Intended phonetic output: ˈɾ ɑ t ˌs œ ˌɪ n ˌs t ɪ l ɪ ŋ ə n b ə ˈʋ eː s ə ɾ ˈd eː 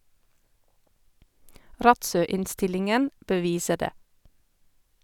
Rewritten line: ˈɾ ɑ t ˌs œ ˌɪ n ˌs t ɪ l ɪ ŋ ə n b ə ˈʋ iː s ə ɾ ˈd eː